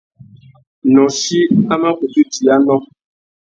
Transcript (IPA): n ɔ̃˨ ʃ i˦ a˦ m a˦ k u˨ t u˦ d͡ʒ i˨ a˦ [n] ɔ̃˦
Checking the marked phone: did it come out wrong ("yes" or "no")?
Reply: no